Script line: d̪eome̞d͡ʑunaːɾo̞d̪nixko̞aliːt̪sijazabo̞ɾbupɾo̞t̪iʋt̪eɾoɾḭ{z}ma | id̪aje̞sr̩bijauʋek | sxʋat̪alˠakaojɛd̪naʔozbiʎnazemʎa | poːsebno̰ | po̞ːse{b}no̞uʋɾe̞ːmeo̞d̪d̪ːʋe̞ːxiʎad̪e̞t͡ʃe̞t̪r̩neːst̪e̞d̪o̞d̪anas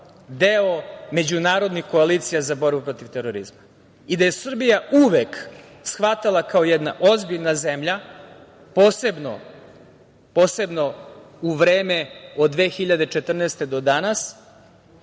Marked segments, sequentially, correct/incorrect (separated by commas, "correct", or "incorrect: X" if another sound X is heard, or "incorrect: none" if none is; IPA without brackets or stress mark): correct, correct